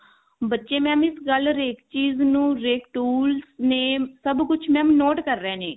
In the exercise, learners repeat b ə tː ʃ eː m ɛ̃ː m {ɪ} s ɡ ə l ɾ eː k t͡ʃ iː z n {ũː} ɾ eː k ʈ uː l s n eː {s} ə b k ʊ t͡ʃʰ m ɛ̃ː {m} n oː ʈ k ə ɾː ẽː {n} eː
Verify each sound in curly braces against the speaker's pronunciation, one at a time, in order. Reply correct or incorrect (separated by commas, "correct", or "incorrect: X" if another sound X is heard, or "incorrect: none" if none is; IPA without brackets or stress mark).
correct, correct, correct, correct, correct